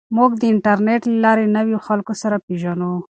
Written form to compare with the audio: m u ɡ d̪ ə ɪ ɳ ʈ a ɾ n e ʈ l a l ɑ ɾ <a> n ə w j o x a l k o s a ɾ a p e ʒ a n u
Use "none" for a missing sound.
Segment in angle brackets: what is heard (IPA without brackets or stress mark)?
e